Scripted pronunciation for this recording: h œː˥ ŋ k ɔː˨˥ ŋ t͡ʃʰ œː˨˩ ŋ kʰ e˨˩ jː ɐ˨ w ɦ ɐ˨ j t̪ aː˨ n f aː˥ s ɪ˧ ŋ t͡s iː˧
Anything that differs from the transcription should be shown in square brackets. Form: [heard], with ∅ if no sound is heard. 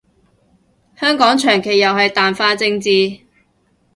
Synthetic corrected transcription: h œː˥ ŋ k ɔː˨˥ ŋ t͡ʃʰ œː˨˩ ŋ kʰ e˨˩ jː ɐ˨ w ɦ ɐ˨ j t̪ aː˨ n f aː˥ [t͡s] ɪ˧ ŋ t͡s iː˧